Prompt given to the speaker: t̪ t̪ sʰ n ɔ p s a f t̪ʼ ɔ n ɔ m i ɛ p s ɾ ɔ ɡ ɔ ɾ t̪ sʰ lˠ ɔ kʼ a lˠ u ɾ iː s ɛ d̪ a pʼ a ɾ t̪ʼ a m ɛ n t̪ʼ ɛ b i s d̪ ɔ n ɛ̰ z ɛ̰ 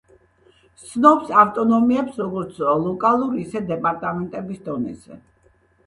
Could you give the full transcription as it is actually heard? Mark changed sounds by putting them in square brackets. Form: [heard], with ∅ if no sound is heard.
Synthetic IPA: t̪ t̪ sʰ n ɔ p s a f t̪ʼ ɔ n ɔ m i ɛ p s ɾ ɔ ɡ ɔ ɾ t̪ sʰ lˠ ɔ kʼ a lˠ u ɾ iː s ɛ d̪ [ɛ] pʼ a ɾ t̪ʼ a m ɛ n t̪ʼ ɛ b i s d̪ ɔ n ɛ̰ z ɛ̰